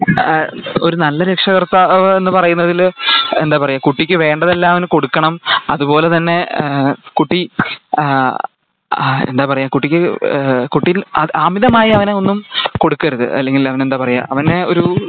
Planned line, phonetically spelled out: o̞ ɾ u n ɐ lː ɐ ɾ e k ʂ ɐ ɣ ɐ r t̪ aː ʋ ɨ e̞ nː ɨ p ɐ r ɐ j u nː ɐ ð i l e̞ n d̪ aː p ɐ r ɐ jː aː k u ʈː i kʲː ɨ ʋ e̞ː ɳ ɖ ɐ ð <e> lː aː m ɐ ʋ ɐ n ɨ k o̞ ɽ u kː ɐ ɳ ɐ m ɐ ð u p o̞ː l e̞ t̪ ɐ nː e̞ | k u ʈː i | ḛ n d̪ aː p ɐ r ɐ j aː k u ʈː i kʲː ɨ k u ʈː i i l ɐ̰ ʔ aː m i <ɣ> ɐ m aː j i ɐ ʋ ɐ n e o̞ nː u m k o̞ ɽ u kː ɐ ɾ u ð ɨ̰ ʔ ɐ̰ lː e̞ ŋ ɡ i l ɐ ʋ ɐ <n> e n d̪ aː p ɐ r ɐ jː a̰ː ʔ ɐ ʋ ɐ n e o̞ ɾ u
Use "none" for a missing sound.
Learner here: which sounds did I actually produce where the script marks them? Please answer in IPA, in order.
e, ð, n

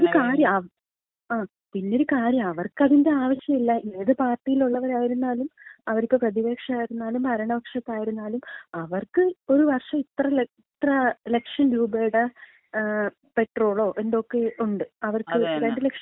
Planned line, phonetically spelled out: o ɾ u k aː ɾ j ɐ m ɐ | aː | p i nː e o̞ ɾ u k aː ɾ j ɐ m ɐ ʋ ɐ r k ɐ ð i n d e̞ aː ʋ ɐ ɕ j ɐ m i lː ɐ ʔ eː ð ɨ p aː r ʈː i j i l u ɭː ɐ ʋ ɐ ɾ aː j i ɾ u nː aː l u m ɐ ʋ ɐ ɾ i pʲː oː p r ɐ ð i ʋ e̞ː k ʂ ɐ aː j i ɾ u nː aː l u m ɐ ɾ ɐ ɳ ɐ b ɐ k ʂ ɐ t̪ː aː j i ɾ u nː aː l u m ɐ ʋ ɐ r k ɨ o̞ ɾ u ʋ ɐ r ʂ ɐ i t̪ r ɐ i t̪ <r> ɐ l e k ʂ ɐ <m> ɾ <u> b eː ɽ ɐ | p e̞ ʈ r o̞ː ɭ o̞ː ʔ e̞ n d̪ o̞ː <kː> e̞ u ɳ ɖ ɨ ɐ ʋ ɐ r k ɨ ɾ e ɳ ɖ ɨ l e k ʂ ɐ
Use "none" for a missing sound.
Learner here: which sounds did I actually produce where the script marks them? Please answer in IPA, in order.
r, n, uː, kː

